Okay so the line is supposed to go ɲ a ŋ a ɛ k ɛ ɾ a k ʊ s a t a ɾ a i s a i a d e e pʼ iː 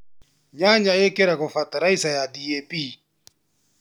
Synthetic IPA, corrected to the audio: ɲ a ɲ a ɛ k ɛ ɾ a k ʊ f a t a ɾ a i s a j a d i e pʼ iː